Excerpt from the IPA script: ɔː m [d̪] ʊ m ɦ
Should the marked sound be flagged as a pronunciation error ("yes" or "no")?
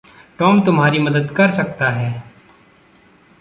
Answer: yes